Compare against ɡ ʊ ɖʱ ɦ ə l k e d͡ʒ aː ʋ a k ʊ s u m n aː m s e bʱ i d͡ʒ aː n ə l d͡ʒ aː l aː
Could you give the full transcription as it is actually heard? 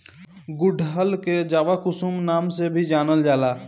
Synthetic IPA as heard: ɡ ʊ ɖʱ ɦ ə l k e d͡ʒ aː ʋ a k ʊ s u m n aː m s e bʱ i d͡ʒ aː n ə l d͡ʒ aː l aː